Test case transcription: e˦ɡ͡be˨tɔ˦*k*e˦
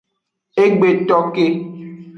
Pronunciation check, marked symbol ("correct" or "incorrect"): correct